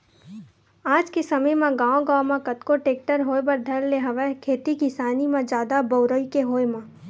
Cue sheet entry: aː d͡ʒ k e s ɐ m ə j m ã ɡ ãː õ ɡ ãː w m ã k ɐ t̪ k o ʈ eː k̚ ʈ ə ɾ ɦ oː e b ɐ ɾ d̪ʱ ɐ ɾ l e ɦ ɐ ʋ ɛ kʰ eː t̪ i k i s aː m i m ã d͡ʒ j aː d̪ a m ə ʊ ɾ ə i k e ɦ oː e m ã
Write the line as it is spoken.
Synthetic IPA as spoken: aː d͡ʒ k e s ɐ m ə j m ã ɡ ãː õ ɡ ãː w m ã k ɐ t̪ k o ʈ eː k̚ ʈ ə ɾ ɦ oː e b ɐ ɾ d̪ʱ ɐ ɾ l e ɦ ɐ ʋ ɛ kʰ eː t̪ i k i s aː n i m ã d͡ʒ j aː d̪ a b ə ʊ ɾ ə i k e ɦ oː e m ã